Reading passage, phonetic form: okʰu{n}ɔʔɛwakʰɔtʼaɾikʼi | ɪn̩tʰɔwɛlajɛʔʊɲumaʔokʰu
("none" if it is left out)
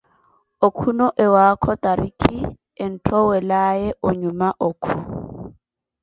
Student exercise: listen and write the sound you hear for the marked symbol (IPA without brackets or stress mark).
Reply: n